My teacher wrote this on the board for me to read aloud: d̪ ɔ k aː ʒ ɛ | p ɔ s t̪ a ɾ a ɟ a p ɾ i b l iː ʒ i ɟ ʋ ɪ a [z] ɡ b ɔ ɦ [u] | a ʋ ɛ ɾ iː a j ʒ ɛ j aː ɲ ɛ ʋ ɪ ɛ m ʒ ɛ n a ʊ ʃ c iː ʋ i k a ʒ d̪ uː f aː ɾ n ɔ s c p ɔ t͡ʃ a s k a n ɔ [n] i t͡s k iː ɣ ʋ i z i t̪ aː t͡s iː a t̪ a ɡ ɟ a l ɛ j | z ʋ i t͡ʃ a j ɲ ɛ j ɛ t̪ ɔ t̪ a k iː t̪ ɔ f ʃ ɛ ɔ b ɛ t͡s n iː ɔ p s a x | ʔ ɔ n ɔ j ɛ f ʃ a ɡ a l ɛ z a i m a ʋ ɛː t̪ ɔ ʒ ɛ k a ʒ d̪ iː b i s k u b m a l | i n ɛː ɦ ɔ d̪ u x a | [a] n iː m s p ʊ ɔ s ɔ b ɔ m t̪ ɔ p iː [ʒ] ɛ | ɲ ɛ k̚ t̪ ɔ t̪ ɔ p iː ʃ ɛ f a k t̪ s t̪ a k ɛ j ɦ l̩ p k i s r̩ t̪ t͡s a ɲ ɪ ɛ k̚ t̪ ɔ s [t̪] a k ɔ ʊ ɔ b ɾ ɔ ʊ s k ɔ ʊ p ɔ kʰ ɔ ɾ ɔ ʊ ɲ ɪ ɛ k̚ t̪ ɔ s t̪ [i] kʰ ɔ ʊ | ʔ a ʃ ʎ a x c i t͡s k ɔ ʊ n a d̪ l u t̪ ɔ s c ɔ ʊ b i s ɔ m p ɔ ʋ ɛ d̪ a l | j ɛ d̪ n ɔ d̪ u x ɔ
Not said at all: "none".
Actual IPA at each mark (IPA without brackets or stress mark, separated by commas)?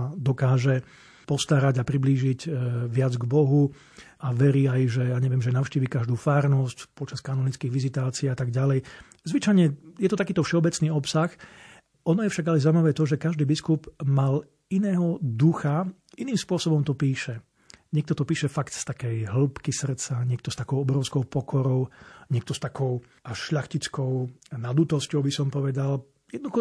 d͡z, u, n, i, ʃ, t̪, a